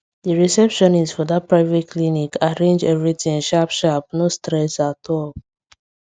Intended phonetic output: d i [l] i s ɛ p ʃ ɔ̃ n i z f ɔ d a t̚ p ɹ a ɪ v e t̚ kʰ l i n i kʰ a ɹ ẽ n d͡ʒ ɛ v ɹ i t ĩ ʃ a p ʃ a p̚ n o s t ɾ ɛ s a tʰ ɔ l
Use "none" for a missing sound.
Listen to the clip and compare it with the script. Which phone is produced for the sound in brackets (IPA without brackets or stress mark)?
ɹ